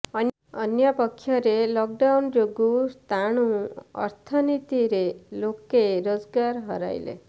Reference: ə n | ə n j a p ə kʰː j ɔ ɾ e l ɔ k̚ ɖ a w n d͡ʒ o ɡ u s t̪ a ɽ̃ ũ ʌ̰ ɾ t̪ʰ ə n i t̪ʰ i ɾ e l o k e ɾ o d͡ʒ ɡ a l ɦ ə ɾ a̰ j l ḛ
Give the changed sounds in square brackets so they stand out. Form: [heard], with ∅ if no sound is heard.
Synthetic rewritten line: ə n | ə n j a p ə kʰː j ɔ ɾ e l ɔ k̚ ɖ a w n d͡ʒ o ɡ u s t̪ a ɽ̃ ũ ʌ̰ ɾ t̪ʰ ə n i [t̪] i ɾ e l o k e ɾ o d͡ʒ ɡ a [ɾ] ɦ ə ɾ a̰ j l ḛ

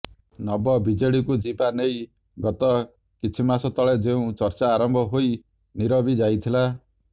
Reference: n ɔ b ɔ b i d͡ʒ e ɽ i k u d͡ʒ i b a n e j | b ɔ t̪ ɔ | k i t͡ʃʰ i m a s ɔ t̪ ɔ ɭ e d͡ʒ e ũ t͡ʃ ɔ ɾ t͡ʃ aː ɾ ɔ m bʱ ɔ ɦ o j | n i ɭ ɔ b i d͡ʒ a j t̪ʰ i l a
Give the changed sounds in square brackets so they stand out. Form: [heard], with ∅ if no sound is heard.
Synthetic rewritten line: n ɔ b ɔ b i d͡ʒ e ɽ i k u d͡ʒ i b a n e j | [ɡ] ɔ t̪ ɔ | k i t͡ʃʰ i m a s ɔ t̪ ɔ ɭ e d͡ʒ e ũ t͡ʃ ɔ ɾ t͡ʃ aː ɾ ɔ m bʱ ɔ ɦ o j | n i [ɾ] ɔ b i d͡ʒ a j t̪ʰ i l a

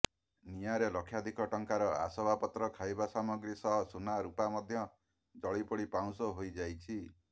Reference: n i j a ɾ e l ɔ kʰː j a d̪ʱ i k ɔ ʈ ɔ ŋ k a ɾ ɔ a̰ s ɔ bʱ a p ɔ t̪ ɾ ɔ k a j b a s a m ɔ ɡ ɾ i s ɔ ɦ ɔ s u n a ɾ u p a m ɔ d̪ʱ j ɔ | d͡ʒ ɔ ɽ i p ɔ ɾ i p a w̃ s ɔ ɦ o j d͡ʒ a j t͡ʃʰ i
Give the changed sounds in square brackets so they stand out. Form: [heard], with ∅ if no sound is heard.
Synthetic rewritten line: n i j a ɾ e l ɔ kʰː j a d̪ʱ i k ɔ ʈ ɔ ŋ k a ɾ ɔ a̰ s ɔ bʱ a p ɔ t̪ ɾ ɔ [kʰ] a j b a s a m ɔ ɡ ɾ i s ɔ ɦ ɔ s u n a ɾ u p a m ɔ d̪ʱ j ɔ | d͡ʒ ɔ [ɭ] i p ɔ [ɽ] i p a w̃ s ɔ ɦ o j d͡ʒ a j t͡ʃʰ i

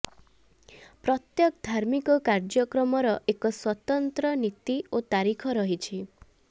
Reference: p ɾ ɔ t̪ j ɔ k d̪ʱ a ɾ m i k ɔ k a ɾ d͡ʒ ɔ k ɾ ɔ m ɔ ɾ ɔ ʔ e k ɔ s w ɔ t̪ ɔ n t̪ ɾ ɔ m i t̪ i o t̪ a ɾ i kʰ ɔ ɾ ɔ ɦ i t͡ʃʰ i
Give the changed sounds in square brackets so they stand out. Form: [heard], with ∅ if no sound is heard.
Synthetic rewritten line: p ɾ ɔ t̪ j ɔ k d̪ʱ a ɾ m i k ɔ k a ɾ d͡ʒ ɔ k ɾ ɔ m ɔ ɾ ɔ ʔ e k ɔ s w ɔ t̪ ɔ n t̪ ɾ ɔ [n] i t̪ i o t̪ a ɾ i kʰ ɔ ɾ ɔ ɦ i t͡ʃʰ i

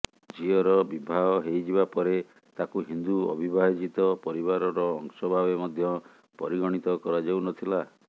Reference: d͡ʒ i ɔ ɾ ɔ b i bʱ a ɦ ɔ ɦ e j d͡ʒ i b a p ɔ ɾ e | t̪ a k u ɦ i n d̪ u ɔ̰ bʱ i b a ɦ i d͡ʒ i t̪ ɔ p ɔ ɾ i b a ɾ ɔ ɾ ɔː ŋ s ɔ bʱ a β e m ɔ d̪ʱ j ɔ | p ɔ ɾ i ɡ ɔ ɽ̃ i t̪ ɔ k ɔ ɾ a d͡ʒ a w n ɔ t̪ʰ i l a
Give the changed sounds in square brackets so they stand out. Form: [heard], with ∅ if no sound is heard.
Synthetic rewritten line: d͡ʒ i ɔ ɾ ɔ b i bʱ a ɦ ɔ ɦ e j d͡ʒ i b a p ɔ ɾ e | t̪ a k u ɦ i n d̪ u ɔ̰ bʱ i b a ɦ i d͡ʒ i t̪ ɔ p ɔ ɾ i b a ɾ ɔ ɾ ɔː ŋ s ɔ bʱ a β e m ɔ d̪ʱ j ɔ | p ɔ ɾ i ɡ ɔ ɽ̃ i t̪ ɔ k ɔ ɾ a d͡ʒ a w n ɔ t̪ʰ i l a

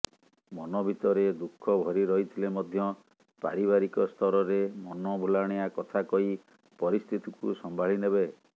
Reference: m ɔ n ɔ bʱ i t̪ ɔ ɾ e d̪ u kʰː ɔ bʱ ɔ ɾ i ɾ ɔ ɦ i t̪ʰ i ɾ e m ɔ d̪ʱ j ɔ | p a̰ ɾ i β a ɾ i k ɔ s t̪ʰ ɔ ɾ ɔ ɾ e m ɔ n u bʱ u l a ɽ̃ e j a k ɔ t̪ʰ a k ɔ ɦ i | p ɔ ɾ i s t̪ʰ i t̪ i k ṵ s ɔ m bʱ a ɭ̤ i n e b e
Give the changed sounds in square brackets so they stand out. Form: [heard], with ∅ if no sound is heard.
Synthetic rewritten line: m ɔ n ɔ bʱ i t̪ ɔ ɾ e d̪ u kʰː ɔ bʱ ɔ ɾ i ɾ ɔ ɦ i t̪ʰ i [l] e m ɔ d̪ʱ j ɔ | p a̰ ɾ i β a ɾ i k ɔ s t̪ʰ ɔ ɾ ɔ ɾ e m ɔ n [ɔ] bʱ u l a ɽ̃ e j a k ɔ t̪ʰ a k ɔ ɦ i | p ɔ ɾ i s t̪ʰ i t̪ i k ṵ s ɔ m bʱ a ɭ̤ i n e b e

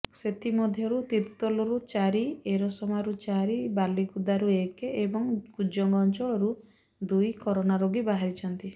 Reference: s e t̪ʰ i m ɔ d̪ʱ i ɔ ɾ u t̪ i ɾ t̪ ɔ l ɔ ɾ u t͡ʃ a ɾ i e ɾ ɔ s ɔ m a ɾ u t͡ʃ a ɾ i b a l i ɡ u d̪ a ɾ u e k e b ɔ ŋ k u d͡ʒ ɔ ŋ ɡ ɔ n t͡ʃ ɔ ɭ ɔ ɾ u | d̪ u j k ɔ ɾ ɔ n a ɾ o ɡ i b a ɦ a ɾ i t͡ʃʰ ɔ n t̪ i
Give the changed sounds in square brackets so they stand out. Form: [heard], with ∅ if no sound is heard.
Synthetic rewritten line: s e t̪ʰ i m ɔ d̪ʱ [j] ɔ ɾ u t̪ i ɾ t̪ ɔ l ɔ ɾ u t͡ʃ a ɾ i e ɾ ɔ s ɔ m a ɾ u t͡ʃ a ɾ i b a l i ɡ u d̪ a ɾ u e k e b ɔ ŋ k u d͡ʒ ɔ ŋ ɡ ɔ n t͡ʃ ɔ ɭ ɔ ɾ u | d̪ u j k ɔ ɾ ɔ n a ɾ o ɡ i b a ɦ a ɾ i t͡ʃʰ ɔ n t̪ i

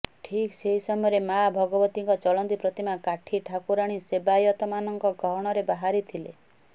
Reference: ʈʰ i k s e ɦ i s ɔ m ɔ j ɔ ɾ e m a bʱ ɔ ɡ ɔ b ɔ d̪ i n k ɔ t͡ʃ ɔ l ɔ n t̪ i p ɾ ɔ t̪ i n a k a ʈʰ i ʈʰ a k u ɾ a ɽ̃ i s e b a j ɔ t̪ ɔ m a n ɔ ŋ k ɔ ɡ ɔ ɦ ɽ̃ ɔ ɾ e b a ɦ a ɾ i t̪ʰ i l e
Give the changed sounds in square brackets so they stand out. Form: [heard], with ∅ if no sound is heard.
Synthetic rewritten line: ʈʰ i k s e ɦ i s ɔ m ɔ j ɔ ɾ e m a bʱ ɔ ɡ ɔ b ɔ [t̪] i [ŋ] k ɔ t͡ʃ ɔ l ɔ n t̪ i p ɾ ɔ t̪ i [m] a k a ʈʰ i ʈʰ a k u ɾ a ɽ̃ i s e b a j ɔ t̪ ɔ m a n ɔ ŋ k ɔ ɡ ɔ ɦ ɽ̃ ɔ ɾ e b a ɦ a ɾ i t̪ʰ i l e

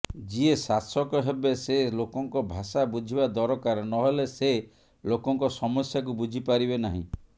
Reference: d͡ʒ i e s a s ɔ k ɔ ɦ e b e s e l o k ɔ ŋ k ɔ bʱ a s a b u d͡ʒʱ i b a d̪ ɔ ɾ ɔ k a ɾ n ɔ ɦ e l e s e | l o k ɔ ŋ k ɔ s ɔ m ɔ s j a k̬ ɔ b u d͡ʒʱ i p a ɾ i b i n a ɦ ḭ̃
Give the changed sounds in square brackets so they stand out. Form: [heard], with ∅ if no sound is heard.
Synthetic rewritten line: d͡ʒ i e s a s ɔ k ɔ ɦ e b e s e l o k ɔ ŋ k ɔ bʱ a s a b u d͡ʒʱ i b a d̪ ɔ ɾ ɔ k a ɾ n ɔ ɦ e l e s e | l o k ɔ ŋ k ɔ s ɔ m ɔ s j a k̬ [u] b u d͡ʒʱ i p a ɾ i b [e] n a ɦ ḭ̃

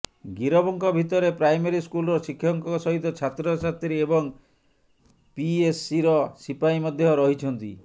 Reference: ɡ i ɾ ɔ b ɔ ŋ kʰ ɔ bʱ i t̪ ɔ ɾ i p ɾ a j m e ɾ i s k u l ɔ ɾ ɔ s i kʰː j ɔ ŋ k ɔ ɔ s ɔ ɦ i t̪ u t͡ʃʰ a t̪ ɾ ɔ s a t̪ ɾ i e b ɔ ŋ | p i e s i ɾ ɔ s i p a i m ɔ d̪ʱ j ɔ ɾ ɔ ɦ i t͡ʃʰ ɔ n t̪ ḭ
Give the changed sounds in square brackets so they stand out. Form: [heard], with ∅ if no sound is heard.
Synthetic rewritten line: ɡ i ɾ ɔ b ɔ ŋ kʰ ɔ bʱ i t̪ ɔ ɾ [e] p ɾ a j m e ɾ i s k u l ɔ ɾ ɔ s i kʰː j ɔ ŋ k ɔ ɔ s ɔ ɦ i t̪ [ɔ] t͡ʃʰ a t̪ ɾ ɔ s a t̪ ɾ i e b ɔ ŋ | p i e s i ɾ ɔ s i p a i m ɔ d̪ʱ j ɔ ɾ ɔ ɦ i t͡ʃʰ ɔ n t̪ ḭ

